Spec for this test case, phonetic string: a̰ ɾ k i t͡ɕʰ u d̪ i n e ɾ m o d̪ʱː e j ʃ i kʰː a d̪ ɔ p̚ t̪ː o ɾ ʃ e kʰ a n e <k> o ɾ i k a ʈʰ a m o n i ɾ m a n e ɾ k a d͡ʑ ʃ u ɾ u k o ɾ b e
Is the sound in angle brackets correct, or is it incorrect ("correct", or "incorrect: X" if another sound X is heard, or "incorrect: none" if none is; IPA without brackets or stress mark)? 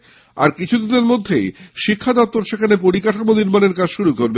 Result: incorrect: p